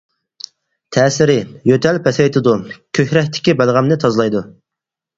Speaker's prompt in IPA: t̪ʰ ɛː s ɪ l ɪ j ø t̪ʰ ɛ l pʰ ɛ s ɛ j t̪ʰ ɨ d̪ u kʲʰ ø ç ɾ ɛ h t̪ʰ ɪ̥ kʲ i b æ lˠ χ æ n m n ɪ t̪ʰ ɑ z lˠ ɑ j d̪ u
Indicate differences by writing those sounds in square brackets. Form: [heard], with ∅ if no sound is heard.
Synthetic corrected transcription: t̪ʰ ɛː s ɪ [ɾ] ɪ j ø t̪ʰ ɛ l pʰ ɛ s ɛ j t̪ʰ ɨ d̪ u kʲʰ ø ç ɾ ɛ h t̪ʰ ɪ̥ kʲ i b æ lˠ [ʁ] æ [∅] m n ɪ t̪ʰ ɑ z lˠ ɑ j d̪ u